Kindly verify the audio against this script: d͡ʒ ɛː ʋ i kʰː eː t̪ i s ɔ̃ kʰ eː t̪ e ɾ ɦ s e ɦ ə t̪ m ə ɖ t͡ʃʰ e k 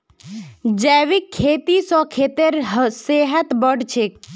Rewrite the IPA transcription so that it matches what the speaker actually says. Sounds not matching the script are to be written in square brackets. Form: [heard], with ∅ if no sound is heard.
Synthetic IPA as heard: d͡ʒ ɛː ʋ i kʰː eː t̪ i s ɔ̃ kʰ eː t̪ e ɾ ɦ s e ɦ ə t̪ [b] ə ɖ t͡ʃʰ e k